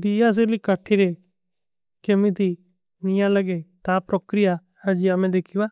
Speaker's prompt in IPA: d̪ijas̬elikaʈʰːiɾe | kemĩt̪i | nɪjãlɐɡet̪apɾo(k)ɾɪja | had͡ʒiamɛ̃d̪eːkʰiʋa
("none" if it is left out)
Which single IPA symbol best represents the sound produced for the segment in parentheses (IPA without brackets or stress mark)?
k